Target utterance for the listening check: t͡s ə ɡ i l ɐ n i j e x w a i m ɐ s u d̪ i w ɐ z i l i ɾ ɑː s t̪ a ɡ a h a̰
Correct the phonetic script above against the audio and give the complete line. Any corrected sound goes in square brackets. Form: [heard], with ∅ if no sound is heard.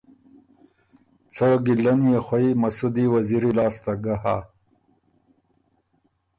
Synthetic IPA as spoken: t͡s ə ɡ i l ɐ n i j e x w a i m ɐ s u d̪ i w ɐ z i [ɾ] i [l] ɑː s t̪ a ɡ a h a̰